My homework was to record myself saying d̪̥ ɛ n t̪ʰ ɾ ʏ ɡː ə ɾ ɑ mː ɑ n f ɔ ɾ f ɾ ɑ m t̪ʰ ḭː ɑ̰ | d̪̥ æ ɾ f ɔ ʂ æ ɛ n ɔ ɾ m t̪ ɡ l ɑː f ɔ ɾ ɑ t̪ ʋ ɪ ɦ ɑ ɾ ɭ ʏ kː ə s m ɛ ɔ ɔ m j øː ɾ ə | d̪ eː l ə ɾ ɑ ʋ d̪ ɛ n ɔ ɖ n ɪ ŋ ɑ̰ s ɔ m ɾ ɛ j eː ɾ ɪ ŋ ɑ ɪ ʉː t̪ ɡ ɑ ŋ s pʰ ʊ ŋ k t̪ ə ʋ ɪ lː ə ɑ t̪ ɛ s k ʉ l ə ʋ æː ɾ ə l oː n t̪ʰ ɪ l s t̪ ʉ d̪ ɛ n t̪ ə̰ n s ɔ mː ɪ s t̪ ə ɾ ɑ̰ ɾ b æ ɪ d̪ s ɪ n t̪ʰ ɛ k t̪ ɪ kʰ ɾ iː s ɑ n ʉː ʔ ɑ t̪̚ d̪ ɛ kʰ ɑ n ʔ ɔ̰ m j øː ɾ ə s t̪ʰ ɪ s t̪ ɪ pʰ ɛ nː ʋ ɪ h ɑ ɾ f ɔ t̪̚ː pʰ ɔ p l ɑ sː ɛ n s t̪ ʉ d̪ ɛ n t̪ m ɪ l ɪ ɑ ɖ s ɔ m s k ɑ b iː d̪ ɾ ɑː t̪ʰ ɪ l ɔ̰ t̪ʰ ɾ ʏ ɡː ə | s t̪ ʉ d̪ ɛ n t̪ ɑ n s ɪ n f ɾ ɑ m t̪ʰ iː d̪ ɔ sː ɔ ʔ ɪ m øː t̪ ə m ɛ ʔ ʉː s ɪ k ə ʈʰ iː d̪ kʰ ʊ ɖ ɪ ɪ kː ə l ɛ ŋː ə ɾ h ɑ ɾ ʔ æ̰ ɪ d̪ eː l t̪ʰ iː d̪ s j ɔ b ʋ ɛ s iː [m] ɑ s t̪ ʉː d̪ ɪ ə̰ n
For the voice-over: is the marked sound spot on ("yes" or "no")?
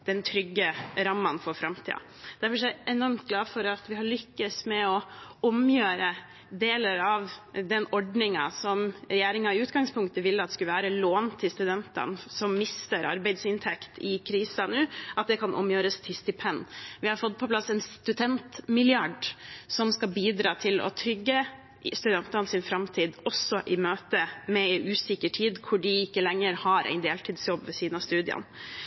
no